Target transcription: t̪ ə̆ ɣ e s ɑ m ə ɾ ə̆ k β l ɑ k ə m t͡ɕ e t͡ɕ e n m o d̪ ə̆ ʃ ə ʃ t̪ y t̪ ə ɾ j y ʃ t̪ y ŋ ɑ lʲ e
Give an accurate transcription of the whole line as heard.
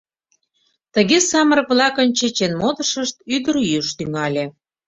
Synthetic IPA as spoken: t̪ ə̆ ɣ e s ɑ m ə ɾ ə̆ k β l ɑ k ə n t͡ɕ e t͡ɕ e n m o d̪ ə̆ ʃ ə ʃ t̪ y d̪ ə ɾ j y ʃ t̪ y ŋ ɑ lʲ e